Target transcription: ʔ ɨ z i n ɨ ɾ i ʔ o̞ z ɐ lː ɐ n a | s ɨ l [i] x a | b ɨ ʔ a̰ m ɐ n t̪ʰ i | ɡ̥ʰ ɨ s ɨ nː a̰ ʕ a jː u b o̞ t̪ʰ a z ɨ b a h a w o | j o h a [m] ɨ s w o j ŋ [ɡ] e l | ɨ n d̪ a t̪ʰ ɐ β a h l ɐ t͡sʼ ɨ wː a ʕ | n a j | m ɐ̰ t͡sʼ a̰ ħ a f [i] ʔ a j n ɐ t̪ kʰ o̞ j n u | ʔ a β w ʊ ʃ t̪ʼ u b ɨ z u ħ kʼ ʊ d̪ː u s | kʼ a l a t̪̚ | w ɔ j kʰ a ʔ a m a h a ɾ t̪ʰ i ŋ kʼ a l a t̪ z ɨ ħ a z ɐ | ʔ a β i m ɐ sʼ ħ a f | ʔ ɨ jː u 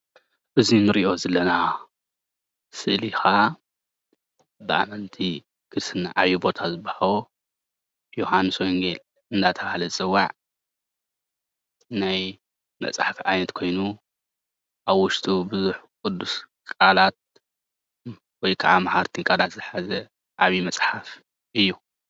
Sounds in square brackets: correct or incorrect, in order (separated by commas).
correct, incorrect, correct, correct